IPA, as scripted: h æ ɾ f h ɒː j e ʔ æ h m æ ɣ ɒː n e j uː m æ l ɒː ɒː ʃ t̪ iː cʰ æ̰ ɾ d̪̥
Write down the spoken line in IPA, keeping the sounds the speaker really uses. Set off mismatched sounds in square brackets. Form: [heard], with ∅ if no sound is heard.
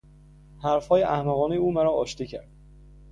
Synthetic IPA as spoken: h æ ɾ f h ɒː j e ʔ æ h m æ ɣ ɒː n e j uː m æ [ɾ] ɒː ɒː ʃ t̪ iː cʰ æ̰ ɾ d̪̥